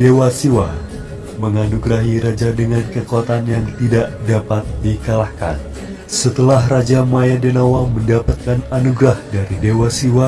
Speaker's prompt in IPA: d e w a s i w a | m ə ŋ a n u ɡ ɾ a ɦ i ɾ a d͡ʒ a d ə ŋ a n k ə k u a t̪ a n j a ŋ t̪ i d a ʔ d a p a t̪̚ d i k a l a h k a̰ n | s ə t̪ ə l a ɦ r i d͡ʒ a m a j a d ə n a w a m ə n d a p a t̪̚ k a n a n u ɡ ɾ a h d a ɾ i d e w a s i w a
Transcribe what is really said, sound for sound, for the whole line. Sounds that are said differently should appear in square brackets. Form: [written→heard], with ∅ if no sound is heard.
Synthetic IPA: d e w a s i w a | m ə ŋ a n u ɡ ɾ a ɦ i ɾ a d͡ʒ a d ə ŋ a n k ə k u a t̪ a n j a ŋ t̪ i d a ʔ d a p a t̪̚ d i k a l a h k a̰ n | s ə t̪ ə l a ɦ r [i→a] d͡ʒ a m a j a d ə n a w a m ə n d a p a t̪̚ k a n a n u ɡ ɾ a h d a ɾ i d e w a s i w a